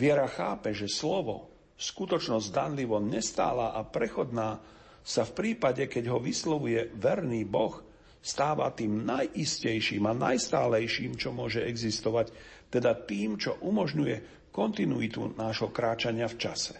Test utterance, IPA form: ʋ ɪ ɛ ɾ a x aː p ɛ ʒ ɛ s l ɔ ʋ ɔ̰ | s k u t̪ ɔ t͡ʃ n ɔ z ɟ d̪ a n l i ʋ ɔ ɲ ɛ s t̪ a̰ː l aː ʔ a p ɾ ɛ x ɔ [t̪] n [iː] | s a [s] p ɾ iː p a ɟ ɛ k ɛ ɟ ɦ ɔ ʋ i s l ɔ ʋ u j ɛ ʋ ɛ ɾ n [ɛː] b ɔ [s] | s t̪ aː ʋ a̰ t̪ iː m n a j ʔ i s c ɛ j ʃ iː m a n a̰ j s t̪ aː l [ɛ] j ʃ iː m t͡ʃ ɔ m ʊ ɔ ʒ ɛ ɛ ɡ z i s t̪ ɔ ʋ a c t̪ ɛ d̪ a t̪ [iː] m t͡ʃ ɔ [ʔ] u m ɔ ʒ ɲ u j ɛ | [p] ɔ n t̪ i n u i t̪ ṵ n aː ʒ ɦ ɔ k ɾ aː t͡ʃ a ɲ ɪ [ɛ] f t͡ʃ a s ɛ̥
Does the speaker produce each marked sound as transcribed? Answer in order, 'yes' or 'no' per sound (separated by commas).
no, no, no, no, no, yes, yes, yes, no, no